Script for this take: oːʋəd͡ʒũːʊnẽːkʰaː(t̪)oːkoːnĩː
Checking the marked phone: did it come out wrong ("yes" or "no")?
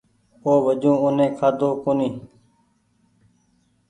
yes